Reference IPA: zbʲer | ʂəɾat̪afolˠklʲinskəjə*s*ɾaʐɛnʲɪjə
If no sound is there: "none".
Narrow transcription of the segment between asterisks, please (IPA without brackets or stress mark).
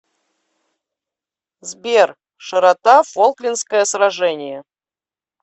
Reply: s